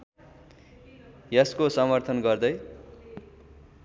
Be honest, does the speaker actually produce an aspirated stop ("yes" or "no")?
yes